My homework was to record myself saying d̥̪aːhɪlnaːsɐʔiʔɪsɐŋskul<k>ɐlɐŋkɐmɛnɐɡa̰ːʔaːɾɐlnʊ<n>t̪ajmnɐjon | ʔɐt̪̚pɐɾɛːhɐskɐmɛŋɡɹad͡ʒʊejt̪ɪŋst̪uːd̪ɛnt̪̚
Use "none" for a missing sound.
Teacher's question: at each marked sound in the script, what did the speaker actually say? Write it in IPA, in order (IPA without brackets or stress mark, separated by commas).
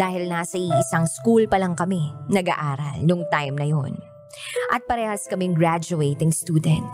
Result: p, ŋ